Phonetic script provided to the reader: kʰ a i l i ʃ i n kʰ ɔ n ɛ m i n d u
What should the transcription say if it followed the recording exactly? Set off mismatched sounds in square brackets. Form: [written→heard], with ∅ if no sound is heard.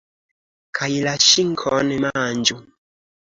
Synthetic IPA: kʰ a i l [i→a] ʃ i [n→ŋ] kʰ ɔ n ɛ m [i→a] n [d→d͡ʒ] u